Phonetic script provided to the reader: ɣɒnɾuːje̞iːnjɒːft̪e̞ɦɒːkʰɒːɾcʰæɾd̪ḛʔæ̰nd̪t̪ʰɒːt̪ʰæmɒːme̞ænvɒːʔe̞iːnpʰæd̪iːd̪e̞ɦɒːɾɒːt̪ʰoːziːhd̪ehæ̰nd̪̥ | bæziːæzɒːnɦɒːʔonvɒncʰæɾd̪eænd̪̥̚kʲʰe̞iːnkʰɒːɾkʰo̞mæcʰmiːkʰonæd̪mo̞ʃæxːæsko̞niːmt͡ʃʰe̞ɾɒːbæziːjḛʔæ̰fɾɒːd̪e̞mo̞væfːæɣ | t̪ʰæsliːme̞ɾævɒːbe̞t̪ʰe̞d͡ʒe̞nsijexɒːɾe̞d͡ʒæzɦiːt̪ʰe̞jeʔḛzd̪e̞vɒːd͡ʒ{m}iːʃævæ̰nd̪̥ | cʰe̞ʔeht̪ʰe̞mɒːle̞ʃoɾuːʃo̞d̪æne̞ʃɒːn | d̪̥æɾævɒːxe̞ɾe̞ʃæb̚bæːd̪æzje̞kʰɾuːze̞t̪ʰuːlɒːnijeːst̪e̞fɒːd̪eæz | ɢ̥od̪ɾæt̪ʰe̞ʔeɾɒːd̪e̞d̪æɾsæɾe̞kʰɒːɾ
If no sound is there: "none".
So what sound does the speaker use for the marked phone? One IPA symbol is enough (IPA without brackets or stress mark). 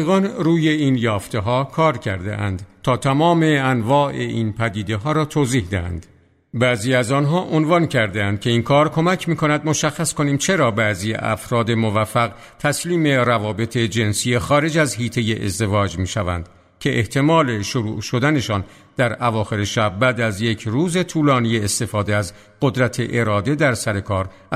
m